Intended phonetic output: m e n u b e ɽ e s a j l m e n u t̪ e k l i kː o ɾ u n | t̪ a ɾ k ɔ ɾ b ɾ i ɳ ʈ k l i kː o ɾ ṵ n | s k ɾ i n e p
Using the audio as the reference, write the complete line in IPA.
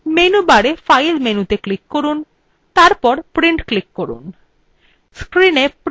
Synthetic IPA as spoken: m e n u b a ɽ e f a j l m e n u t̪ e k l i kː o ɾ u n | t̪ a ɾ p ɔ ɾ p ɾ i ɳ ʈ k l i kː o ɾ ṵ n | s k ɾ i n e p